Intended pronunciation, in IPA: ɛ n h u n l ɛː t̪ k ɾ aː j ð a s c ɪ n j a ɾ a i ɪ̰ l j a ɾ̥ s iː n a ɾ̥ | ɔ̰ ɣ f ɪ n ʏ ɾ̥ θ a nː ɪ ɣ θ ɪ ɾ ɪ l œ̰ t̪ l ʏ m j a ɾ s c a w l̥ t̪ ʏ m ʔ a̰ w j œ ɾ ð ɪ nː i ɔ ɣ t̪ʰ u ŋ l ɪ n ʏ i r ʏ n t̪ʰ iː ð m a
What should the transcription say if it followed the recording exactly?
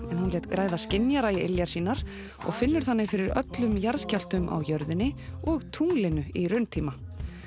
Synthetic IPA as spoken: ɛ n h u n l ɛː t̪ k ɾ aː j ð a s c ɪ n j a ɾ a i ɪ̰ l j a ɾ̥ s iː n a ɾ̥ | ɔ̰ ɣ f ɪ nː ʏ ɾ̥ θ a nː ɪ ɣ f ɪ ɾ ɪ ɾ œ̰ t̪ l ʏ m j a ɾ s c a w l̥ t̪ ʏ m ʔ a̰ w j œ ɾ ð ɪ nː ɪ ɔ ɣ t̪ʰ u ŋ l ɪ n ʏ i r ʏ n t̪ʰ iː m a